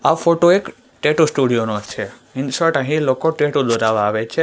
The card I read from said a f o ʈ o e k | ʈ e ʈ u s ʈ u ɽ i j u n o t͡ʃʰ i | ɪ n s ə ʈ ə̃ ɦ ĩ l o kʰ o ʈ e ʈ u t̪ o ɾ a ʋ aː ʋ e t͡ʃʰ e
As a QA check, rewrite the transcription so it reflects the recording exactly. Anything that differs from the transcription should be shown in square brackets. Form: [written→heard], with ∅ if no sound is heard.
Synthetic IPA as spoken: a f o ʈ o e k | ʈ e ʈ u s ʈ u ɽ i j [u→o] n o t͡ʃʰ [i→e] | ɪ n s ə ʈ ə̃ ɦ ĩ l o [kʰ→k] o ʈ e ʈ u [t̪→d̪] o ɾ a ʋ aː ʋ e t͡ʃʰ e